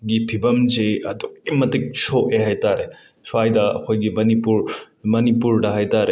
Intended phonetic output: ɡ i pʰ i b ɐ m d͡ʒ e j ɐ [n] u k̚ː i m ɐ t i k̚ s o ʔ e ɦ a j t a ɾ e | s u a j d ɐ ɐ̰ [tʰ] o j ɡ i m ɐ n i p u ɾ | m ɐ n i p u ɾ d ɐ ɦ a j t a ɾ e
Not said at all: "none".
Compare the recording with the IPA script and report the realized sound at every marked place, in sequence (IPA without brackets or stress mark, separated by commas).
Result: d, kʰ